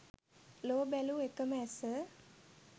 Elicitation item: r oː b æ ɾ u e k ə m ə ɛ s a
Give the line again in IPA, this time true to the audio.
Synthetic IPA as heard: l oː b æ l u e k ə m ə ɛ s ə